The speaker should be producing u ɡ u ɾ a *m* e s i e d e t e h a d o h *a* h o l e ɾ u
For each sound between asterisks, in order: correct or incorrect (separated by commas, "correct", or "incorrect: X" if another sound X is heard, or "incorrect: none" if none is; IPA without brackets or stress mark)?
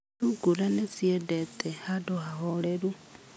incorrect: n, correct